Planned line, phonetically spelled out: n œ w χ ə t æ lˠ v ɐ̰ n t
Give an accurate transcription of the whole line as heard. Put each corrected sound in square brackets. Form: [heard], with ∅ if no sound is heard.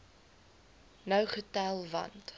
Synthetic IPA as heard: n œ w χ ə t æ lˠ v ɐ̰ n t